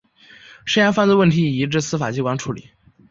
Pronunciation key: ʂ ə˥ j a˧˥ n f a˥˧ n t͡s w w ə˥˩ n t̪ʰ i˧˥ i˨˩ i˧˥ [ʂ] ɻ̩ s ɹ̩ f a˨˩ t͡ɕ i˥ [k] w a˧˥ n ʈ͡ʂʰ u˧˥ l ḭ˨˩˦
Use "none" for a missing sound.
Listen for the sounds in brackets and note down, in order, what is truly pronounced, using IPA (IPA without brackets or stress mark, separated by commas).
ʈ͡ʂ, k